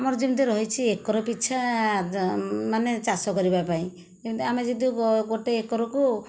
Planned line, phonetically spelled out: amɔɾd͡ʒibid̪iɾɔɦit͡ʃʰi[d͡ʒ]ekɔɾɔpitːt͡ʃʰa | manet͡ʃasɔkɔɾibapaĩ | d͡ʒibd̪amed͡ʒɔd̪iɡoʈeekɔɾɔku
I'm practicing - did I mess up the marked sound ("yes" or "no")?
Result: yes